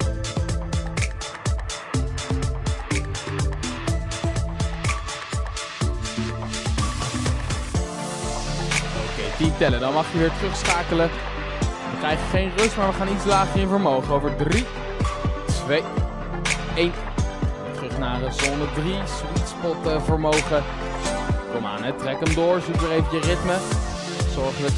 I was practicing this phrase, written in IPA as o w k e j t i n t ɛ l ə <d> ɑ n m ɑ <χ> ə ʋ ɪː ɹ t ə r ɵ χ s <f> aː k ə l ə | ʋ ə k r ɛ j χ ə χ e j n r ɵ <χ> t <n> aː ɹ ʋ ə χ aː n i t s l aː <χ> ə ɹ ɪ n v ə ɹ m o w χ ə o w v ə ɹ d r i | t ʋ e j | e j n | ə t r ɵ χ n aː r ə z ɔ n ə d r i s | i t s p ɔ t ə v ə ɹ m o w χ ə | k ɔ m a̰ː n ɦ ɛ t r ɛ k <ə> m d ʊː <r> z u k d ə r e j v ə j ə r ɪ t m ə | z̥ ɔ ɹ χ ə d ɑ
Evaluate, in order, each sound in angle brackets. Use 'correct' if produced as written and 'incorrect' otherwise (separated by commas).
correct, correct, incorrect, incorrect, incorrect, correct, correct, incorrect